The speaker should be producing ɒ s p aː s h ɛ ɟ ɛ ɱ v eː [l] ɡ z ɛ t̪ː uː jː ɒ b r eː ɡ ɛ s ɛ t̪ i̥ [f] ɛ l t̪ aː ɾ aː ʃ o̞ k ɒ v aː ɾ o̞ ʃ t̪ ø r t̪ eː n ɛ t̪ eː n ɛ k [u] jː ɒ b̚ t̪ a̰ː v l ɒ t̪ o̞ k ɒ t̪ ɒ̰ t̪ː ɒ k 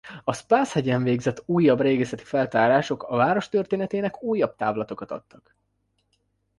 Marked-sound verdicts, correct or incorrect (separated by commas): incorrect, correct, incorrect